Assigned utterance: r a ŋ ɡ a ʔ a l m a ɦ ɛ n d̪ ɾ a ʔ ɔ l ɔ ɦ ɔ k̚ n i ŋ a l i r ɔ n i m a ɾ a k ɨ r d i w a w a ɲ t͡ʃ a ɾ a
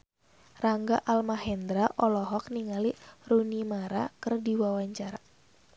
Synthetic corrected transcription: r a ŋ ɡ a ʔ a l m a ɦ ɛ n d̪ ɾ a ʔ ɔ l ɔ ɦ ɔ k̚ n i ŋ a l i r u n i m a ɾ a k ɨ r d i w a w a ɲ t͡ʃ a ɾ a